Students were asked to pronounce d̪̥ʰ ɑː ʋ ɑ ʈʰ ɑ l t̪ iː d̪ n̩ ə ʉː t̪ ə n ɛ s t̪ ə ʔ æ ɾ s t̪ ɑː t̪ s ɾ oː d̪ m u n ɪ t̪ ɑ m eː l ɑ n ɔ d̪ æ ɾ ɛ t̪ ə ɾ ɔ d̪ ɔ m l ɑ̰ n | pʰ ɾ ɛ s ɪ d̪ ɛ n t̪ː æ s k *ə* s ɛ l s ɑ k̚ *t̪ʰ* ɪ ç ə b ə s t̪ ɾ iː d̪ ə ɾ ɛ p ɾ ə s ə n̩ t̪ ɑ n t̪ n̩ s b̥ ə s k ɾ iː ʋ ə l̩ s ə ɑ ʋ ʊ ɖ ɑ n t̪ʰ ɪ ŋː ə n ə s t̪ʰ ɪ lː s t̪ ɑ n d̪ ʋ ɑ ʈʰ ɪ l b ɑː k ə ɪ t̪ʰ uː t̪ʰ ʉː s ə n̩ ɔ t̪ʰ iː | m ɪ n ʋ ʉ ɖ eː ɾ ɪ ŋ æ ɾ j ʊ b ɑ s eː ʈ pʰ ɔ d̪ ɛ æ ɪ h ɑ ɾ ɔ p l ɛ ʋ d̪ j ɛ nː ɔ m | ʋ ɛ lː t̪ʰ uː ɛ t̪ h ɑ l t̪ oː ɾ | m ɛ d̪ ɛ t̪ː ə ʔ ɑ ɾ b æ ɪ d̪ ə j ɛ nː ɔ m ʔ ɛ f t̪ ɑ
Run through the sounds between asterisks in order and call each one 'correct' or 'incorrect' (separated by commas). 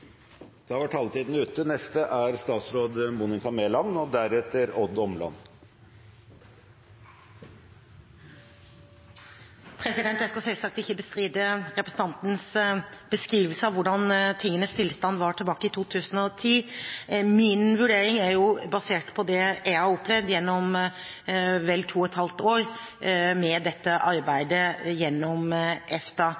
incorrect, incorrect